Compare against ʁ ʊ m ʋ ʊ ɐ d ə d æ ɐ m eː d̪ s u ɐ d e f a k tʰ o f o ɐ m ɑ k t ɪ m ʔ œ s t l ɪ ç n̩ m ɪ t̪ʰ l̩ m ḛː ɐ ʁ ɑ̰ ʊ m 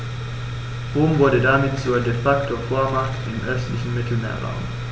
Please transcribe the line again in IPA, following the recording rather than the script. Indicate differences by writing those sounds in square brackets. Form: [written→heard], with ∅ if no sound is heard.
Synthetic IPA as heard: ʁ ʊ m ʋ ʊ ɐ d ə d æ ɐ m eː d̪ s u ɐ d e f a k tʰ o f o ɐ m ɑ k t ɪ m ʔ œ s t l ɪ ç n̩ m ɪ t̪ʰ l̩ m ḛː ɐ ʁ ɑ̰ ʊ m